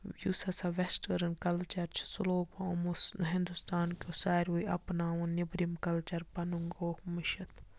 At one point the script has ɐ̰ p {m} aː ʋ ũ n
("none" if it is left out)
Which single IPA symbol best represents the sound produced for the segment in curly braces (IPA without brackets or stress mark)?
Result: n